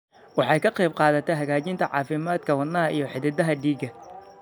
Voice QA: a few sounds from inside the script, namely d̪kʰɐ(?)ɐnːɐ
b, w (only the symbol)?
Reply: w